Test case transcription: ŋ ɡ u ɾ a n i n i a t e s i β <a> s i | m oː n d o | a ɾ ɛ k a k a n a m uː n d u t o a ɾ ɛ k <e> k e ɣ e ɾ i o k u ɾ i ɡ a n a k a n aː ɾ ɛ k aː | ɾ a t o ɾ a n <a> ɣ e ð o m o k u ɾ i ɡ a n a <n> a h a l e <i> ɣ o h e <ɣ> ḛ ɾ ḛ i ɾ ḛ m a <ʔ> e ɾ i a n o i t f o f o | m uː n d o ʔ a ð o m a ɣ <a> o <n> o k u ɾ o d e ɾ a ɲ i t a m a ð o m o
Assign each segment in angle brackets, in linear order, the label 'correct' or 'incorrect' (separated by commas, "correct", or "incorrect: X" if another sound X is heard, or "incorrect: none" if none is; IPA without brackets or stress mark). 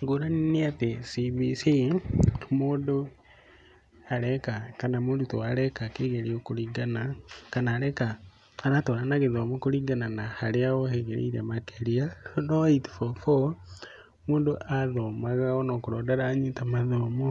incorrect: i, incorrect: a, correct, correct, incorrect: a, correct, incorrect: k, correct, correct